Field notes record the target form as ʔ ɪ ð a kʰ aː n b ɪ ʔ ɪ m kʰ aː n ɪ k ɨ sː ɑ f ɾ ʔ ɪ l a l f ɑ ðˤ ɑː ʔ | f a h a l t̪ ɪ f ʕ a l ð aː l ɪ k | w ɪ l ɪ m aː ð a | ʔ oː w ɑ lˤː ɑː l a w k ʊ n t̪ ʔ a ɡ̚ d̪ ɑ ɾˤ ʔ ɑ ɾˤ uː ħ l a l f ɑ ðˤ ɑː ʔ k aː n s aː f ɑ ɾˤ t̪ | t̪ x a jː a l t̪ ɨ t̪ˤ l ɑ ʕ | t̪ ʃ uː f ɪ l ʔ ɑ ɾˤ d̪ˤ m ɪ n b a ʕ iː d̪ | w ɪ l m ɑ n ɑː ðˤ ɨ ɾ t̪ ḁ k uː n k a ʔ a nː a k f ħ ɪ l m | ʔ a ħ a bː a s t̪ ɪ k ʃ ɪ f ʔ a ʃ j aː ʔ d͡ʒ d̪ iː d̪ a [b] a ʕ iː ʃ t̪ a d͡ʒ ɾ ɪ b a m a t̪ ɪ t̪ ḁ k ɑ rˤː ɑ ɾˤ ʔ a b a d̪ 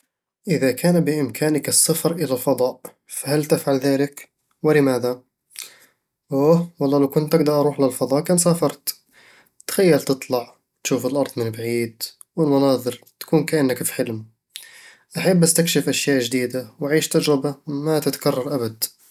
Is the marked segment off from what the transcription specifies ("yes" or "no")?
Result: yes